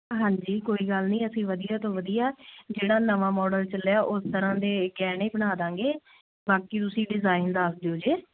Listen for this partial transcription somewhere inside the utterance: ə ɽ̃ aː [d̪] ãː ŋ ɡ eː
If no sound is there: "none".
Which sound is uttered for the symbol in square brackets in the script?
d̪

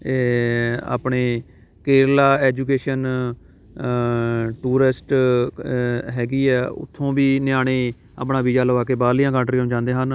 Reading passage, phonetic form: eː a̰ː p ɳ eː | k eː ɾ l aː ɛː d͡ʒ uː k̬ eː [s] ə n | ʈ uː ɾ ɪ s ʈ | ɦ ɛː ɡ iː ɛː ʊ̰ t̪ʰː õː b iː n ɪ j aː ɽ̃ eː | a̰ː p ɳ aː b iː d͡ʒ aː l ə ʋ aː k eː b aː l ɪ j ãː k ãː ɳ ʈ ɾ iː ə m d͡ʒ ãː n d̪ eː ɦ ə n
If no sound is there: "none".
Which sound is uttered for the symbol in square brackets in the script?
ʃ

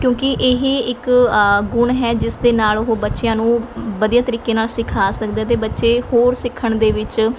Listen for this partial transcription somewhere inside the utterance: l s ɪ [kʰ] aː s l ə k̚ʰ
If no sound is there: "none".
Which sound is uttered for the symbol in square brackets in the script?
kʰ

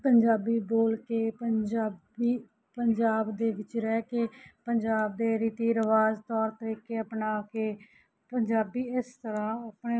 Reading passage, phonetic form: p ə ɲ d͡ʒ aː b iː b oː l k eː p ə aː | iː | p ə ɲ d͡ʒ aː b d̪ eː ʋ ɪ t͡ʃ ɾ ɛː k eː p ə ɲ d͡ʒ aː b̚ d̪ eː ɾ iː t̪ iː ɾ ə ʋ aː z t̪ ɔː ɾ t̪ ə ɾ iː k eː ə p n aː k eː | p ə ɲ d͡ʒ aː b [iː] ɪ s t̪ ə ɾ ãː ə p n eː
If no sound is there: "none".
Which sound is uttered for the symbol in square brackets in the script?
iː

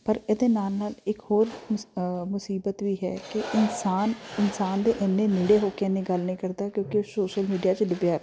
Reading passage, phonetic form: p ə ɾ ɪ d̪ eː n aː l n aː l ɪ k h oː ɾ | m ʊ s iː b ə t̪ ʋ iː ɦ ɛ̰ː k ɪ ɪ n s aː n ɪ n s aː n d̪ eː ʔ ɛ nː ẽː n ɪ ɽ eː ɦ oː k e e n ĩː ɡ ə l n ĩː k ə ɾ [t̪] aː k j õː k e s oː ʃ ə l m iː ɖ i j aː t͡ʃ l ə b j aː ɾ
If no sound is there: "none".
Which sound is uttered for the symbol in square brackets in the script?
d̪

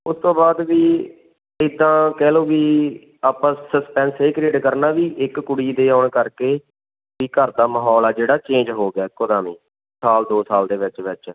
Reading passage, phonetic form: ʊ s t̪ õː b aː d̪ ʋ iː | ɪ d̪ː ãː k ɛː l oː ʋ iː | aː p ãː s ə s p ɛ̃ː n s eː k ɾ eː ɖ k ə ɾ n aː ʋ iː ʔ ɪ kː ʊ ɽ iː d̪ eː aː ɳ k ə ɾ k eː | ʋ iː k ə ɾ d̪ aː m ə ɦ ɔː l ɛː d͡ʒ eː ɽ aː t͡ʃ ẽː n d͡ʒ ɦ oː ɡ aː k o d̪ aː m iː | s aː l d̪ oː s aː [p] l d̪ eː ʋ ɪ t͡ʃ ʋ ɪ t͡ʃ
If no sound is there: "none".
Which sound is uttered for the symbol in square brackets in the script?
none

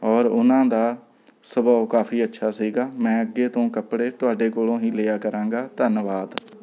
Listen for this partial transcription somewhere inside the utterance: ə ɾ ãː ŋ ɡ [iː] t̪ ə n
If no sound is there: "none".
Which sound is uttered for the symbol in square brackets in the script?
aː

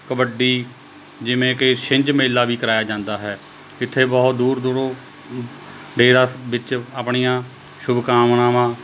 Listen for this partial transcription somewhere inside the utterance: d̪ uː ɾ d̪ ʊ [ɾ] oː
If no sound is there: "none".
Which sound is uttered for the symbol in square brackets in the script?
ɾ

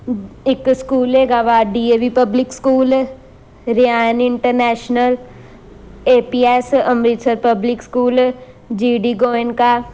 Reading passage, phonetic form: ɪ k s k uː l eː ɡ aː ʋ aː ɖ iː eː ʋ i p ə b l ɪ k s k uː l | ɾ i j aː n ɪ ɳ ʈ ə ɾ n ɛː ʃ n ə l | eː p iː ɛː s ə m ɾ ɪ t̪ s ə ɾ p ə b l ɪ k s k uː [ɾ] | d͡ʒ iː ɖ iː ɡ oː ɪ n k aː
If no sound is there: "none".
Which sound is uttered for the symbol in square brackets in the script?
l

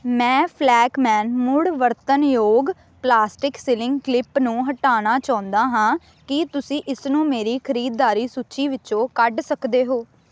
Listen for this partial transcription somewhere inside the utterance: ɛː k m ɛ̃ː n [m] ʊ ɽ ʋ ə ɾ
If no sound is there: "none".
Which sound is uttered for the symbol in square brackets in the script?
m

